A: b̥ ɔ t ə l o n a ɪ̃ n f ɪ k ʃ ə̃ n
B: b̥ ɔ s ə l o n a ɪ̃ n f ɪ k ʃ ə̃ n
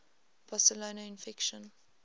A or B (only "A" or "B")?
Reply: B